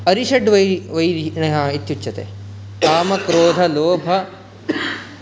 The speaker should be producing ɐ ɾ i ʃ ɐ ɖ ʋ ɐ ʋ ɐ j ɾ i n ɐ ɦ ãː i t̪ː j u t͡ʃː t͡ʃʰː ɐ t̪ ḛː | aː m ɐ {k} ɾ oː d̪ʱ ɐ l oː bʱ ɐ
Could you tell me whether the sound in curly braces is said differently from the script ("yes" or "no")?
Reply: no